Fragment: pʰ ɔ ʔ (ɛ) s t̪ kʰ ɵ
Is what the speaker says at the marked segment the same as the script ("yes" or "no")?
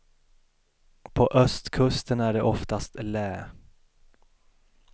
no